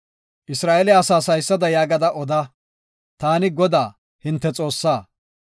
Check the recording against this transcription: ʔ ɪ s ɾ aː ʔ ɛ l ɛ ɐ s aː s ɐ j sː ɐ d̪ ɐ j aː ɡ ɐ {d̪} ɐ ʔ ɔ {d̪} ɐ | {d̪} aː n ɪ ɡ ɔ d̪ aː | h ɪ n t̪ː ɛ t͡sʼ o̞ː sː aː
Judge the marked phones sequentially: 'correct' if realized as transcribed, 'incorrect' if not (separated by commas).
correct, correct, incorrect